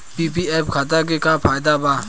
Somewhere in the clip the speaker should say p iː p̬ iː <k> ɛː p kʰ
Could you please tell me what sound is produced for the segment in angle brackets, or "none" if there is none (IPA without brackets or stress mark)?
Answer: none